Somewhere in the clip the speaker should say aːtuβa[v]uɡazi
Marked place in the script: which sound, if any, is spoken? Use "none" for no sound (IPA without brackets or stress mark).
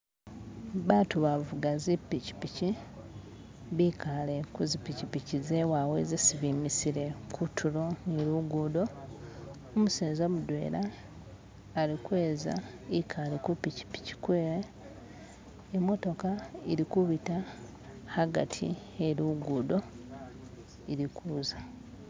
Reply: v